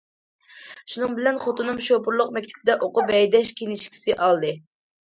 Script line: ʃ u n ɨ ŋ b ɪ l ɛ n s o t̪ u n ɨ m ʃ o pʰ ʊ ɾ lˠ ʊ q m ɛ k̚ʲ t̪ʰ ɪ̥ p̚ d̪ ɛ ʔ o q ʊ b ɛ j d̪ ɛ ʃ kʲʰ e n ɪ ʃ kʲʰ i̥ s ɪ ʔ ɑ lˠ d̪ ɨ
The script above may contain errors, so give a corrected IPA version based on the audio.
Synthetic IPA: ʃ u n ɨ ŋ b ɪ l ɛ n χ o t̪ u n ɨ m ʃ o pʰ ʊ ɾ lˠ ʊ q m ɛ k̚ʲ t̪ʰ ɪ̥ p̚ d̪ ɛ ʔ o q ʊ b ɛ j d̪ ɛ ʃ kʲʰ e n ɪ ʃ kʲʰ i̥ s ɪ ʔ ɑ lˠ d̪ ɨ